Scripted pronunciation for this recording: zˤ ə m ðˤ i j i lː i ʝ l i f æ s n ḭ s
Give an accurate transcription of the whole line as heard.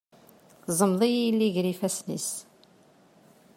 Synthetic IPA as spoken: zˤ ə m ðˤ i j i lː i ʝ ɾ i f æ s n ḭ s